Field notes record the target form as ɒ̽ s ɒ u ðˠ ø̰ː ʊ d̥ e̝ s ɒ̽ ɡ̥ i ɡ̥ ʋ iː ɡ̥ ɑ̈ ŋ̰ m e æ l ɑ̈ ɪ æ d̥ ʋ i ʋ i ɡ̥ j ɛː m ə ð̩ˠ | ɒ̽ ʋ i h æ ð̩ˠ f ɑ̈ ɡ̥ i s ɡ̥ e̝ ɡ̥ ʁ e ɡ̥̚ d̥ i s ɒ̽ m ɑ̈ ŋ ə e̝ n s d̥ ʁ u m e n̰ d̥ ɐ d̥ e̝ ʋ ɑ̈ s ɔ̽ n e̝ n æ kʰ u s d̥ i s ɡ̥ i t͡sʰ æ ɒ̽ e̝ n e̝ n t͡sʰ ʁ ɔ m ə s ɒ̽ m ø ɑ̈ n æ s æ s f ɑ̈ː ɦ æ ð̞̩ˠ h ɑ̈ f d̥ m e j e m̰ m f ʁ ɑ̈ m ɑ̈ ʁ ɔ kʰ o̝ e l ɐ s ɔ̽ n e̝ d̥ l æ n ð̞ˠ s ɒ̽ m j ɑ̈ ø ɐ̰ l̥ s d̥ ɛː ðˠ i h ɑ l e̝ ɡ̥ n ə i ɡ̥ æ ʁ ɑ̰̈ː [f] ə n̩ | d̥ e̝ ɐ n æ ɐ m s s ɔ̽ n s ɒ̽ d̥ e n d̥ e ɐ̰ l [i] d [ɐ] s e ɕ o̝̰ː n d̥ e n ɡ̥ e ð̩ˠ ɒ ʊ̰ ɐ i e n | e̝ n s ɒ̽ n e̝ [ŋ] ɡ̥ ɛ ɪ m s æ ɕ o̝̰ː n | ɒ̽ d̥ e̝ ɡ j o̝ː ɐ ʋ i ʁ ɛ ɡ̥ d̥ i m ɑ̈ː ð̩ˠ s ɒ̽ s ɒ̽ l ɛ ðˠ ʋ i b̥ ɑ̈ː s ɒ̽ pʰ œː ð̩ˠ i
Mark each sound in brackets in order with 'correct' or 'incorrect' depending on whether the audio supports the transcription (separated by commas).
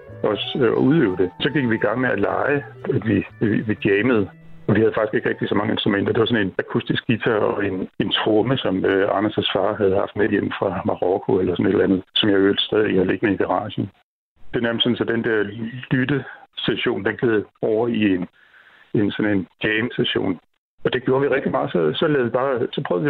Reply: incorrect, incorrect, incorrect, incorrect